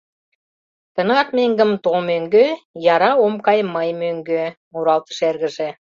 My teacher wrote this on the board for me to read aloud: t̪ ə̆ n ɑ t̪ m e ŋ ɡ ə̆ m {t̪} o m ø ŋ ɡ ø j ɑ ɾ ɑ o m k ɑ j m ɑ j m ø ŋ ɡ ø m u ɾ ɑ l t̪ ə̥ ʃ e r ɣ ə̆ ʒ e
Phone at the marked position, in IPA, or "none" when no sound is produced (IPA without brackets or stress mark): t̪